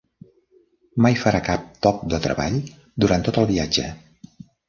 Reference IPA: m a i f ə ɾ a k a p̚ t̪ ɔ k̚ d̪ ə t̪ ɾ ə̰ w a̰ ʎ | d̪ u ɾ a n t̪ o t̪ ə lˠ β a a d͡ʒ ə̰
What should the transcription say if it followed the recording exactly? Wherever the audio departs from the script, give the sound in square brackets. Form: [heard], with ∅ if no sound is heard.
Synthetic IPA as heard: m a [j] f ə ɾ a k a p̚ t̪ ɔ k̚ d̪ ə t̪ ɾ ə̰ [β] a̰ ʎ | d̪ u ɾ a n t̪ o t̪ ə lˠ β [i] a d͡ʒ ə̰